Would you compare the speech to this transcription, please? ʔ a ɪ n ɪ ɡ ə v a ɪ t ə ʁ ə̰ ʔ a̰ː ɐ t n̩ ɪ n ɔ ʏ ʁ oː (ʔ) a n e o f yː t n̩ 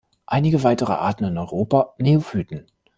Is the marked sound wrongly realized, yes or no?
yes